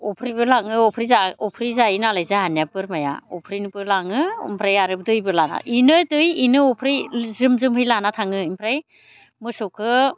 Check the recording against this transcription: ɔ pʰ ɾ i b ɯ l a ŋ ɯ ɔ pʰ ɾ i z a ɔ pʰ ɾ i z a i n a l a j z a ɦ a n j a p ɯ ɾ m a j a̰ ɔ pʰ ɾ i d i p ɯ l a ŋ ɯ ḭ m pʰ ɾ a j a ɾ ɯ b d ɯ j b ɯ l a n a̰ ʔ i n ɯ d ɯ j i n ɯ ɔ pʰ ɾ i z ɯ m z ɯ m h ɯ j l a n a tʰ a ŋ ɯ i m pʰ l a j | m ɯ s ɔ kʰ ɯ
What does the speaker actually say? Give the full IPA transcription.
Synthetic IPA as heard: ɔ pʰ ɾ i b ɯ l a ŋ ɯ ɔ pʰ ɾ i z a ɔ pʰ ɾ i z a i n a l a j z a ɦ a n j a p ɯ ɾ m a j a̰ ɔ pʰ ɾ i n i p ɯ l a ŋ ɯ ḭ m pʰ ɾ a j a ɾ ɯ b d ɯ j b ɯ l a n a̰ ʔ i n ɯ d ɯ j i n ɯ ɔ pʰ ɾ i z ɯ m z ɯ m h ɯ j l a n a tʰ a ŋ ɯ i m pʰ ɾ a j | m ɯ s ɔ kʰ ɯ